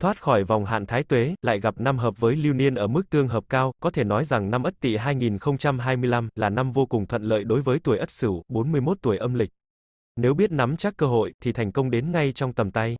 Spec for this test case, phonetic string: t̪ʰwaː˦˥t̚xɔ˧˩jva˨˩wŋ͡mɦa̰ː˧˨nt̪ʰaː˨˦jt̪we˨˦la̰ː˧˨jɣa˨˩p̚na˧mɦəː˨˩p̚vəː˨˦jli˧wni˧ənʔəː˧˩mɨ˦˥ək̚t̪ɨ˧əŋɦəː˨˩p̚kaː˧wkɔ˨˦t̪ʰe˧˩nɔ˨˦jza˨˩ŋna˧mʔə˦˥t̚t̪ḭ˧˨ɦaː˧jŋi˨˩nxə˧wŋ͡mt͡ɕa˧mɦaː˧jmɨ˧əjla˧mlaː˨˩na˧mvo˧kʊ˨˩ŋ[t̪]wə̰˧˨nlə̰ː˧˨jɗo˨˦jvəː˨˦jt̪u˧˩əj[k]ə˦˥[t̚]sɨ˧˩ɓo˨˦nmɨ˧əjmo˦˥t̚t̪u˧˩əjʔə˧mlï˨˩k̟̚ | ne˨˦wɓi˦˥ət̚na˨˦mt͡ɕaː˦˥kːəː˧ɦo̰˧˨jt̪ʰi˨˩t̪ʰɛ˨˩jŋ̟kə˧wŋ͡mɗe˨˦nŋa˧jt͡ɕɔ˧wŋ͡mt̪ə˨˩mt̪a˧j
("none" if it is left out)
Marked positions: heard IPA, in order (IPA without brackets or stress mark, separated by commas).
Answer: t̪ʰ, ʔ, t̚